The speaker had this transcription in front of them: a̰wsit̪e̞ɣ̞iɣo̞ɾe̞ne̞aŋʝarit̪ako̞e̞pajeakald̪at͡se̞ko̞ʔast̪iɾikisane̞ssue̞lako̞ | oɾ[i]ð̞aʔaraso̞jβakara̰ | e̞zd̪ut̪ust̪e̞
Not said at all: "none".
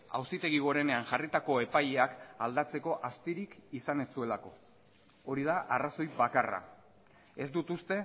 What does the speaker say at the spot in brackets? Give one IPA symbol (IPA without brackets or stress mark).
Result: i